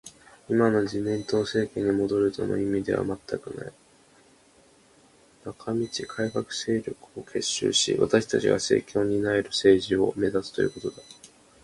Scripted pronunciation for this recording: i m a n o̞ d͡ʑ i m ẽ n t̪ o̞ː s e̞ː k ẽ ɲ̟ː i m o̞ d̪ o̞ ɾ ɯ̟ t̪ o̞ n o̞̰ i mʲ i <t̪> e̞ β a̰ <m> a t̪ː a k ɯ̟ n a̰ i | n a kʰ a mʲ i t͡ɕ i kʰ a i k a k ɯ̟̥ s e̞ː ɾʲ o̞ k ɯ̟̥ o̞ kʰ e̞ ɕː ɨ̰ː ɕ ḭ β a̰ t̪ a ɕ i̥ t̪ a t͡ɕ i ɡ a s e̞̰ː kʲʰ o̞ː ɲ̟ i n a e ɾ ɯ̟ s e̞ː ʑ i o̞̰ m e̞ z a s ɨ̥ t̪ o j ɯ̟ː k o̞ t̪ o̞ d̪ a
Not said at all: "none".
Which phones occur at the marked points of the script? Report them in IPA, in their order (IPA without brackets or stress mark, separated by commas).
d̪, m